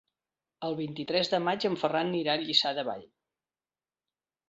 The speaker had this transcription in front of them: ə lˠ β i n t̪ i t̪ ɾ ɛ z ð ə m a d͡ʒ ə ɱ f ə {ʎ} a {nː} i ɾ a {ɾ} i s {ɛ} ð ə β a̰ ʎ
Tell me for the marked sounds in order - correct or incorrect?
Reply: incorrect, correct, incorrect, incorrect

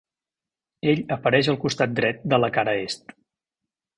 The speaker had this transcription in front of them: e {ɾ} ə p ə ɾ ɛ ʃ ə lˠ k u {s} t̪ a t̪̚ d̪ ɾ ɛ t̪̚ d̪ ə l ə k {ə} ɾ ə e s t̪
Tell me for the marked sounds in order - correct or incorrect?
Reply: incorrect, correct, incorrect

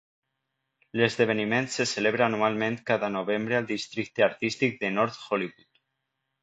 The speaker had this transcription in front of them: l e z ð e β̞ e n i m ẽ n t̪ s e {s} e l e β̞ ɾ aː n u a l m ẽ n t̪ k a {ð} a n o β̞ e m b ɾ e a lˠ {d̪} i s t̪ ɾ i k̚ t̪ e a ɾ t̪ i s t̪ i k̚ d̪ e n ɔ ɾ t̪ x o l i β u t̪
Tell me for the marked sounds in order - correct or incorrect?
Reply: correct, correct, correct

